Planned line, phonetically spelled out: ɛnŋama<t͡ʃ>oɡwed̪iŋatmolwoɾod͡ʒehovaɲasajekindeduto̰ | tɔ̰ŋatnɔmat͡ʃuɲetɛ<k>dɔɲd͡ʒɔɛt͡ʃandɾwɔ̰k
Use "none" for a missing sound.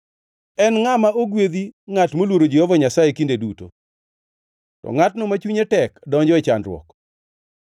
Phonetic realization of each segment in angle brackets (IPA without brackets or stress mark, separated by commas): none, k